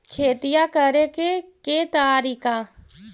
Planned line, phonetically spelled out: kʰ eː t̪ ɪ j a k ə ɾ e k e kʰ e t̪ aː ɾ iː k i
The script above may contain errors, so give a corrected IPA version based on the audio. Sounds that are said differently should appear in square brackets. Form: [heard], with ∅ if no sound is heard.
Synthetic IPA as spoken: kʰ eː t̪ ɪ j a k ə ɾ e k e [k] e t̪ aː ɾ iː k [a]